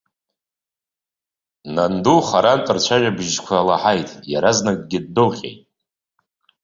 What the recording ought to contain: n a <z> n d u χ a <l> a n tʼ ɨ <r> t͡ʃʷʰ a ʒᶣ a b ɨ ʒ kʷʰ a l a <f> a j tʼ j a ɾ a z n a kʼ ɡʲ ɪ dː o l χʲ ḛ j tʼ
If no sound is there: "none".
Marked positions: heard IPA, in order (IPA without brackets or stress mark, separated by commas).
none, ɾ, r, ħ